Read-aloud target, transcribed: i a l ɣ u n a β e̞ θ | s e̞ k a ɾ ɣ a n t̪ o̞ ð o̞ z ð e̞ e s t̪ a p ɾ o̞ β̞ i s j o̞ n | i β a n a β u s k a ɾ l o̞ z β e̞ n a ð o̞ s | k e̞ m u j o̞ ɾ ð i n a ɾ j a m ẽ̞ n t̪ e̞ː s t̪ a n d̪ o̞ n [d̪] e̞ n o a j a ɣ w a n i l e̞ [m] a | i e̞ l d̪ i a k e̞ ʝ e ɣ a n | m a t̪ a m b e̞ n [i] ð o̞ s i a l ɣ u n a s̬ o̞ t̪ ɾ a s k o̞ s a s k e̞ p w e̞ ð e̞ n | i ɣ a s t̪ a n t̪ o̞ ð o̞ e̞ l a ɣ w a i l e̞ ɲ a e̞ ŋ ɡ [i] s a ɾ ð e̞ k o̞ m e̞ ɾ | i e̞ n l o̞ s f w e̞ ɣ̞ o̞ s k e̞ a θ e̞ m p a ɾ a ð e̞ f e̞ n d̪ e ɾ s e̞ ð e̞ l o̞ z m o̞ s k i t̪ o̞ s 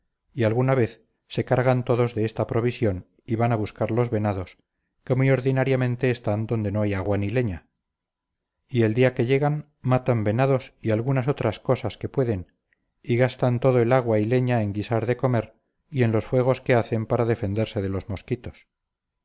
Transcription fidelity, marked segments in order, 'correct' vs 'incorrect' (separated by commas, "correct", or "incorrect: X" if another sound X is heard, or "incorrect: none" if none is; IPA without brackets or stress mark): correct, incorrect: ɲ, incorrect: a, correct